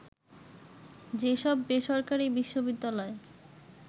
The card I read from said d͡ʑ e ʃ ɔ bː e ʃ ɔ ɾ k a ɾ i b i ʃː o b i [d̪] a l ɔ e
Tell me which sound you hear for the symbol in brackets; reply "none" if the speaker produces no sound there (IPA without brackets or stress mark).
d̪ː